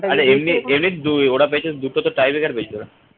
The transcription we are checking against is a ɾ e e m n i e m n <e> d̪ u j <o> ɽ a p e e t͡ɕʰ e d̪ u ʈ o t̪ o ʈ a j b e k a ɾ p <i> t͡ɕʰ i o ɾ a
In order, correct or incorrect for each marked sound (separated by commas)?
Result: incorrect, correct, incorrect